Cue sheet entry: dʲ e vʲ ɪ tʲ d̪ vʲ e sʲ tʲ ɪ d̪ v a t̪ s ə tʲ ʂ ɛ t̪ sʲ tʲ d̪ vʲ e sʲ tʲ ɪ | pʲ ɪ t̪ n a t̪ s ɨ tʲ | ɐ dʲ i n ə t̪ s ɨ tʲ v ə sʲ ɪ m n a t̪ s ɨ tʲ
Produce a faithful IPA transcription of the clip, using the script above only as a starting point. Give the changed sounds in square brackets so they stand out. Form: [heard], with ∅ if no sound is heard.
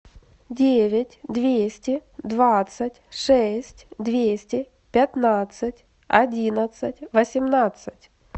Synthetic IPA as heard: dʲ e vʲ ɪ tʲ d̪ vʲ e sʲ tʲ ɪ d̪ v a t̪ s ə tʲ ʂ ɛ [∅] sʲ tʲ d̪ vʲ e sʲ tʲ ɪ | pʲ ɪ t̪ n a t̪ s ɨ tʲ | ɐ dʲ i n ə t̪ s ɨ tʲ v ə sʲ ɪ m n a t̪ s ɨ tʲ